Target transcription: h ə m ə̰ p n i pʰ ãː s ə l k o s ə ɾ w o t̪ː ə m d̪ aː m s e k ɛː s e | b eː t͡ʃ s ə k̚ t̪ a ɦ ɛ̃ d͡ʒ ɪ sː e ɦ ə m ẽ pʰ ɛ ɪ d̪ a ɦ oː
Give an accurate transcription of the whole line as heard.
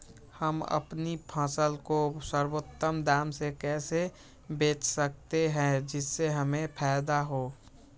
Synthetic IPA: h ə m ə̰ p n i pʰ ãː s ə l k o s ə ɾ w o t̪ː ə m d̪ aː m s e k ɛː s e | b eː t͡ʃ s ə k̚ t̪ e ɦ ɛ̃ d͡ʒ ɪ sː e ɦ ə m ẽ pʰ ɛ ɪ d̪ a ɦ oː